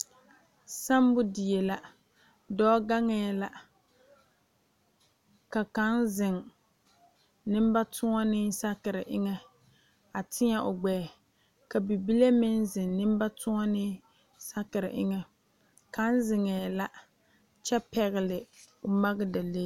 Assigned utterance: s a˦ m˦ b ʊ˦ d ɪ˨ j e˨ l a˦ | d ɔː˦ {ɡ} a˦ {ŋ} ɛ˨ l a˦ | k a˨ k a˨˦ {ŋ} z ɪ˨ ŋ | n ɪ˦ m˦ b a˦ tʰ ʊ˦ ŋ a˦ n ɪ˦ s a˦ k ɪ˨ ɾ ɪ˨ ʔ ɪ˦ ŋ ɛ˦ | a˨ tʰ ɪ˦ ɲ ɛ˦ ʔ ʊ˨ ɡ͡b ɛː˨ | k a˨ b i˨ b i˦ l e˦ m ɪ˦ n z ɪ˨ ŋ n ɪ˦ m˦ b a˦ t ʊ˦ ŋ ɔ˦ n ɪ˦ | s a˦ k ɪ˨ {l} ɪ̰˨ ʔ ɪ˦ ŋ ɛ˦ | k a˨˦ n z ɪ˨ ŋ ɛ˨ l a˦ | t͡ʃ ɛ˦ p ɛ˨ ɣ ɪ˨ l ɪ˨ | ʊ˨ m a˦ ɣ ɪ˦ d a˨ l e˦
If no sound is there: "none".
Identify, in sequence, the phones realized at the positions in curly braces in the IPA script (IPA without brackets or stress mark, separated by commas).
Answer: ɡ, ŋ, n, ɾ